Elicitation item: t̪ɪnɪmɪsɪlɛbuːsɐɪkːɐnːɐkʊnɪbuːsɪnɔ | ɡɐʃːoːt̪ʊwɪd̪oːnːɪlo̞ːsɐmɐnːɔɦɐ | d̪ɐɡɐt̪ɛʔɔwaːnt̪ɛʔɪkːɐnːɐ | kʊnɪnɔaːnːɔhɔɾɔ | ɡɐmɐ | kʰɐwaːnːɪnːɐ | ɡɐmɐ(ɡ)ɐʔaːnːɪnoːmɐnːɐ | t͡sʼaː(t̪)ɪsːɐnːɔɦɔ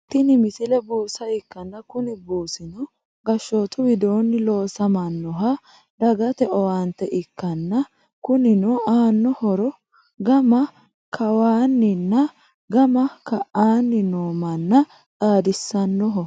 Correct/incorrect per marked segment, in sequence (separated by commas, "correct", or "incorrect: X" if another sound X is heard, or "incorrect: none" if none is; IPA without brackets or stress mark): incorrect: k, incorrect: d̪